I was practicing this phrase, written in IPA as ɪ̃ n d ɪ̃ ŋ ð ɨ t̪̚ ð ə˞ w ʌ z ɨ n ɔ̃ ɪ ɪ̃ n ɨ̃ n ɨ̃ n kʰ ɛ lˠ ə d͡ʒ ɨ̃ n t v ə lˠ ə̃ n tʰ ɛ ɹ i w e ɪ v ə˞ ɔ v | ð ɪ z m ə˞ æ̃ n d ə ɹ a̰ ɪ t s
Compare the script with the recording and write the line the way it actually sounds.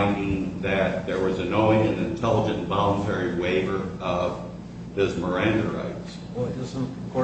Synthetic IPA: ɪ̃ n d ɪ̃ ŋ ð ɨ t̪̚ ð ə˞ w ʌ z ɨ n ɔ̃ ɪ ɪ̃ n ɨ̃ n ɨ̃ n tʰ ɛ lˠ ə d͡ʒ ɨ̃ n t v ɑ lˠ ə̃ n tʰ ɛ ɹ i w e ɪ v ə˞ ʌ v | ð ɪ z m ə˞ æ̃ n d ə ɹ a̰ ɪ t s